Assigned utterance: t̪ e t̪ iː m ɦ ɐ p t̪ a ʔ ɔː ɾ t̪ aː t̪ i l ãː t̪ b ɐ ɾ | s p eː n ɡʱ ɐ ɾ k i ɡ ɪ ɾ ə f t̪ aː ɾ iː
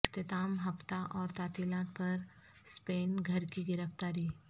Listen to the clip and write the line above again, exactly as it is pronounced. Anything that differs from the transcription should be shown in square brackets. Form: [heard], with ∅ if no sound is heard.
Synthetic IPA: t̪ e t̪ [aː] m ɦ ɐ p t̪ a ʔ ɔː ɾ t̪ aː t̪ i l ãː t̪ [p] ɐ ɾ | s p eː n ɡʱ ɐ ɾ k i ɡ ɪ ɾ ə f t̪ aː ɾ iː